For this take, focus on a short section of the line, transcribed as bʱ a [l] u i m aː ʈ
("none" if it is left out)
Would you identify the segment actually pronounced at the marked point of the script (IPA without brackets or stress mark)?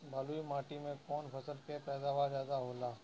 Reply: l